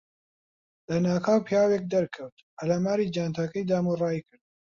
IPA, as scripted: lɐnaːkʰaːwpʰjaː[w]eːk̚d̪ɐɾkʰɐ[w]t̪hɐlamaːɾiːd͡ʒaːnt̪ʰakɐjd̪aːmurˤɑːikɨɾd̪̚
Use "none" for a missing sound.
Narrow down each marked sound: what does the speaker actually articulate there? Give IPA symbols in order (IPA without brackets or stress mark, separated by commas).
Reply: w, w